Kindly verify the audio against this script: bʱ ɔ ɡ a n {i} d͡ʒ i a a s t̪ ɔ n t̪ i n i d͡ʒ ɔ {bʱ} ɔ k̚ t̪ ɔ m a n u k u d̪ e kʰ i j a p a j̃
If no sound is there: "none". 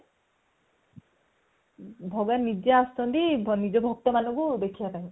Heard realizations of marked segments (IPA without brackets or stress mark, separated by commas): i, bʱ